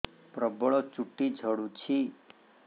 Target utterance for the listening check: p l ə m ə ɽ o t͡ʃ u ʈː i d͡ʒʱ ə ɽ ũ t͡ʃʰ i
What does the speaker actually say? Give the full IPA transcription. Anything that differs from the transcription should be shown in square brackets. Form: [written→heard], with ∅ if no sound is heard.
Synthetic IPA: p [l→ɾ] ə [m→b] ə [ɽ→ɭ] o t͡ʃ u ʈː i d͡ʒʱ ə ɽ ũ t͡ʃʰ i